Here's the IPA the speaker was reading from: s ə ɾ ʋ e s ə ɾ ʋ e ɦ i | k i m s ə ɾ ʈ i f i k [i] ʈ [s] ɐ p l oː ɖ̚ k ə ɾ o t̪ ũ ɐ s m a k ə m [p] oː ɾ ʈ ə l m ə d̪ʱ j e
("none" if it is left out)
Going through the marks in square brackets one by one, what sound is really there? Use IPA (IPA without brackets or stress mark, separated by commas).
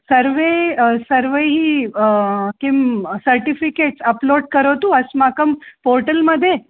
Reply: e, s, p